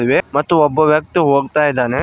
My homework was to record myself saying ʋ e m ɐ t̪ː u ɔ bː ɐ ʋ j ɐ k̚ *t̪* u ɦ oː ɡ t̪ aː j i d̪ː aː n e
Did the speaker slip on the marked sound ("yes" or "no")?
no